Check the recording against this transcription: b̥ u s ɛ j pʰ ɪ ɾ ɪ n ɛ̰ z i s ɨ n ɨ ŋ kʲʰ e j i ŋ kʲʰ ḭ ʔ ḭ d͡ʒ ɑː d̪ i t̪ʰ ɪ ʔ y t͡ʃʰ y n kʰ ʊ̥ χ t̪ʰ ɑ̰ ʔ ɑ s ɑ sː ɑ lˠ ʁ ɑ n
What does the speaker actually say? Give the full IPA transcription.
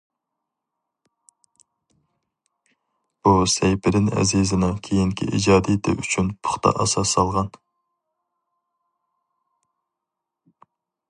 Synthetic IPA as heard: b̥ u s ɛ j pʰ ɪ ɾ ɪ n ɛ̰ z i z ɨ n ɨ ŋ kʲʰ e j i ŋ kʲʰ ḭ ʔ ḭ d͡ʒ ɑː d̪ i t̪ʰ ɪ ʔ y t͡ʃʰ y n pʰ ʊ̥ χ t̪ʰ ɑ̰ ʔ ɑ s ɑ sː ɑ lˠ ʁ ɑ n